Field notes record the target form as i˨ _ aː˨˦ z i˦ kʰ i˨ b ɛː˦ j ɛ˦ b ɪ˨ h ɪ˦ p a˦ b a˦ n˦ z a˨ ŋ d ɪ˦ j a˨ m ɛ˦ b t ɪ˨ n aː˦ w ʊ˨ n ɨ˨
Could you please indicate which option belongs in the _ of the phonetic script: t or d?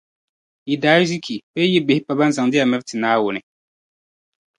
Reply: d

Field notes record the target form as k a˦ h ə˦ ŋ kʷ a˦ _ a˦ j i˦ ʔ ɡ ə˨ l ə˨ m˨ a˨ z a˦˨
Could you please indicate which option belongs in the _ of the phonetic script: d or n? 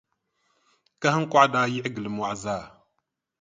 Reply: d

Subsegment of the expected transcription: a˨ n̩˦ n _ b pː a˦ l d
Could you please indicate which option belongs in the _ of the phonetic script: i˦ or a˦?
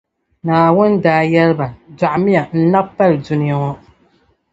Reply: a˦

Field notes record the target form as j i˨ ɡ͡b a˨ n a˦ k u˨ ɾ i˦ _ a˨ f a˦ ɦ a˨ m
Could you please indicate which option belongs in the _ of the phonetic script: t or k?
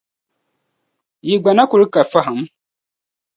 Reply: k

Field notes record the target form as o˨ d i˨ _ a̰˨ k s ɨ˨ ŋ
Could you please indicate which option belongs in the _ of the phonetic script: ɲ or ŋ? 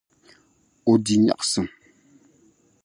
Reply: ɲ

